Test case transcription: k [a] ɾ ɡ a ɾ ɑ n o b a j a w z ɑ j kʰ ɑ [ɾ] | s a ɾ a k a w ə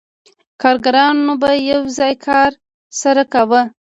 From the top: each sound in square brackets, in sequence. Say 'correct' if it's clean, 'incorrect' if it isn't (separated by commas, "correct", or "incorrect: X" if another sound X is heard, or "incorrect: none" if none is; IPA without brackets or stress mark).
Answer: incorrect: ɑ, correct